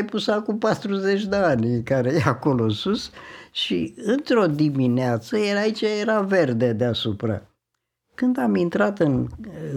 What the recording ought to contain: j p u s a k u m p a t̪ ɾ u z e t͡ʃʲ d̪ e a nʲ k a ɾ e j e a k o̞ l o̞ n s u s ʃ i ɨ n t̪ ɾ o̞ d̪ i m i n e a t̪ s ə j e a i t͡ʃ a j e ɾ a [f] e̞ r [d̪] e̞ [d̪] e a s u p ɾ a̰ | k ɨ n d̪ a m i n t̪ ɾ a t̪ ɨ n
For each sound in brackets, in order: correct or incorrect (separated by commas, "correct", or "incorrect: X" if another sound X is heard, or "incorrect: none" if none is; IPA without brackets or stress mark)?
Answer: incorrect: v, correct, correct